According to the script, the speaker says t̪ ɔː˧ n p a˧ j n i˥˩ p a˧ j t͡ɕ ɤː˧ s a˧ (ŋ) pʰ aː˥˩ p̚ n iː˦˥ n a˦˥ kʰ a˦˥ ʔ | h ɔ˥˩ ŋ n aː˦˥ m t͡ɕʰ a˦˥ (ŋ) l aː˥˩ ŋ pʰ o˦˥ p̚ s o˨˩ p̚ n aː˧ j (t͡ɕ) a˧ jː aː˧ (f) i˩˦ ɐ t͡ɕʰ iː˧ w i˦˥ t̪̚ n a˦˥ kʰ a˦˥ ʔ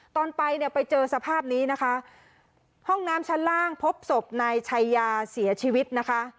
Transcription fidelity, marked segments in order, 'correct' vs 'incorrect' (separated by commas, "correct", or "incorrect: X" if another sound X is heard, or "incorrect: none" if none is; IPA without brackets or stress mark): incorrect: none, incorrect: n, incorrect: t͡ɕʰ, incorrect: s